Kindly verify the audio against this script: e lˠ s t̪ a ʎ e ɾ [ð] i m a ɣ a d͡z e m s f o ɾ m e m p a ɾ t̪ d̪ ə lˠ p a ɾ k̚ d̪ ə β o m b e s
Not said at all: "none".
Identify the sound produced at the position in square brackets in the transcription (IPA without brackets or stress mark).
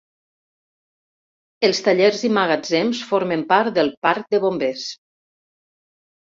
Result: z